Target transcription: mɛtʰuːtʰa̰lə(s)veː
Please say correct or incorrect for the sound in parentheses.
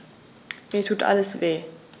correct